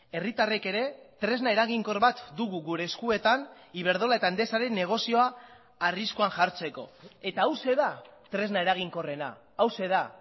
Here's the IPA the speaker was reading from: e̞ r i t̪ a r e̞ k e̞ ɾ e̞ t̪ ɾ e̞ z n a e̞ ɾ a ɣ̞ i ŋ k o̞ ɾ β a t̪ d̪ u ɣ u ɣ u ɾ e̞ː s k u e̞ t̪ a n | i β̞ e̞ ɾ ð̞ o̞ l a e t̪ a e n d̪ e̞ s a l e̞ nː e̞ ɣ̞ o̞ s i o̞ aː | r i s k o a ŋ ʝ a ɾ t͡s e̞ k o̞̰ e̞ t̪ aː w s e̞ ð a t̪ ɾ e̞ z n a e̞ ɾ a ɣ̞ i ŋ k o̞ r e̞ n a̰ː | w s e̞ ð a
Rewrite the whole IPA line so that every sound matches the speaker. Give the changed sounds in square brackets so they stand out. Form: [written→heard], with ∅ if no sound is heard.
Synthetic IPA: e̞ r i t̪ a r e̞ k e̞ ɾ e̞ t̪ ɾ e̞ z n a e̞ ɾ a ɣ̞ i ŋ k o̞ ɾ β a t̪ d̪ u ɣ u ɣ u ɾ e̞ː s k u e̞ t̪ a n | i β̞ e̞ ɾ ð̞ o̞ l a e t̪ a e n d̪ e̞ s a [l→ɾ] e̞ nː e̞ ɣ̞ o̞ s i o̞ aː | r i s k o a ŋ ʝ a ɾ t͡s e̞ k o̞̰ e̞ t̪ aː w s e̞ ð a t̪ ɾ e̞ z n a e̞ ɾ a ɣ̞ i ŋ k o̞ r e̞ n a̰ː | w s e̞ ð a